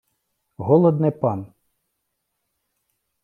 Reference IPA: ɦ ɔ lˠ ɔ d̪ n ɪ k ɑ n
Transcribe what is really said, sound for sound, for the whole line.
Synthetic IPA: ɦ ɔ lˠ ɔ d̪ n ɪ p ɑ n